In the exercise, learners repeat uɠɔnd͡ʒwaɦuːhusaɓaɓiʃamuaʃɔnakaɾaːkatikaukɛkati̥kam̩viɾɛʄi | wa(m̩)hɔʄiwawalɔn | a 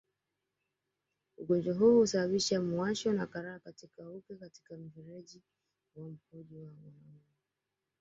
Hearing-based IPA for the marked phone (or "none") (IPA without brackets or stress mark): m̩